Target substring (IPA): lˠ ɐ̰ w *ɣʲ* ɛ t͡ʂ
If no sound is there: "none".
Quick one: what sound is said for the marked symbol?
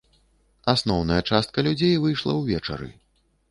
vʲ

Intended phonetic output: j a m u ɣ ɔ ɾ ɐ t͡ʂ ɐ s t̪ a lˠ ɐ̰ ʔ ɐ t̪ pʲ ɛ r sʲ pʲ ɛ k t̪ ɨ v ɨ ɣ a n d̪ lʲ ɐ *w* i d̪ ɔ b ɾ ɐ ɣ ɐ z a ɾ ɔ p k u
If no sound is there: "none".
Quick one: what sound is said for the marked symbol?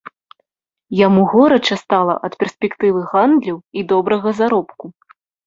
w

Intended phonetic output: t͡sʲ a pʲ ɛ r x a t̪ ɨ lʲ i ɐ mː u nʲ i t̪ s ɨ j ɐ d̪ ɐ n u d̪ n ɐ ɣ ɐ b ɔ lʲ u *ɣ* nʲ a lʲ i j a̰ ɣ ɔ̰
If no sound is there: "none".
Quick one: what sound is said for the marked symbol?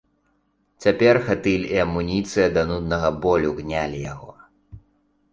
ɣ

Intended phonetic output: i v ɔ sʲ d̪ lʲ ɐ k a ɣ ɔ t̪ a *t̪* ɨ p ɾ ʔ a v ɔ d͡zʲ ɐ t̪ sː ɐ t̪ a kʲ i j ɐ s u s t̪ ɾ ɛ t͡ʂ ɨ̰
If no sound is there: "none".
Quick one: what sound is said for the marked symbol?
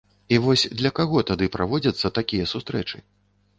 d̪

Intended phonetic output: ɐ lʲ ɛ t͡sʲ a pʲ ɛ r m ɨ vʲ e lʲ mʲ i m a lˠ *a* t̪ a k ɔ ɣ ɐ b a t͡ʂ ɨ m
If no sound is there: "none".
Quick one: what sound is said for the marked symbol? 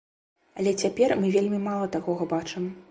ɐ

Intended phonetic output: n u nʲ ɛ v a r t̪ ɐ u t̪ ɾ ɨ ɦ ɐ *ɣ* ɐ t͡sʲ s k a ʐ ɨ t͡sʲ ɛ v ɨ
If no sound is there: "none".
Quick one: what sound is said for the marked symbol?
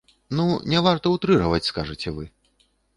v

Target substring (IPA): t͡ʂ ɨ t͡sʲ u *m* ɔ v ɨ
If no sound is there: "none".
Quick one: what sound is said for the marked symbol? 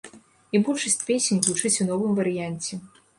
n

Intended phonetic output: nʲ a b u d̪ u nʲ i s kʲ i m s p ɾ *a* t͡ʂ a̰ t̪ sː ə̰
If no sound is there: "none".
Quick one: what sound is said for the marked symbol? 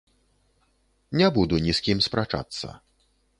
a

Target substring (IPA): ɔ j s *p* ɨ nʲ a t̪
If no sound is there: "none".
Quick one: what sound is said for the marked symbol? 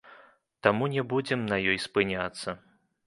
p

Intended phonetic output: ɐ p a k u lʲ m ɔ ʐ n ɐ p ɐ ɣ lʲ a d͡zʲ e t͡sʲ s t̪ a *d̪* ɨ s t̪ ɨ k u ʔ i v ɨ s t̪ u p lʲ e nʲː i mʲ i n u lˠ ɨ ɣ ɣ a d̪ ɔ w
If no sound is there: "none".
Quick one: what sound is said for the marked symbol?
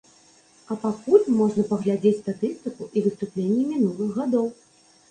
t̪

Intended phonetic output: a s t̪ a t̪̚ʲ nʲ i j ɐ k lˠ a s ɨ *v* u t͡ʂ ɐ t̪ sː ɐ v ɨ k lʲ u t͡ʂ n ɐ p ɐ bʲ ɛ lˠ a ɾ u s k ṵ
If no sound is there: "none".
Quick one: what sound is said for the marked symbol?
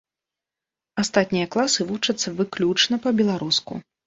v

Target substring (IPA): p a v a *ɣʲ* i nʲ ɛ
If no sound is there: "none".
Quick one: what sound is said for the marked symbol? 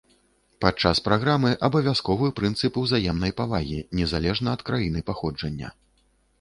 ɣʲ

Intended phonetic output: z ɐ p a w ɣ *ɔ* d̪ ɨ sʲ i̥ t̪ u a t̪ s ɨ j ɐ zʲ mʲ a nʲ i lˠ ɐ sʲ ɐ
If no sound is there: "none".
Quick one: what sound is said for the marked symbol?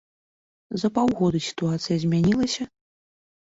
ɔ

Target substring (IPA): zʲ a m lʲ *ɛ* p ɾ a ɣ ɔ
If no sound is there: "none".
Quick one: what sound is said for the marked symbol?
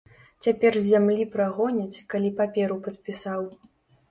i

